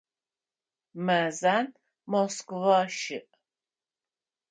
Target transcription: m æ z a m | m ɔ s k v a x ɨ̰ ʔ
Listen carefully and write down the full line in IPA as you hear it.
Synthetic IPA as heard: m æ z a n | m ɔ s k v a ʃ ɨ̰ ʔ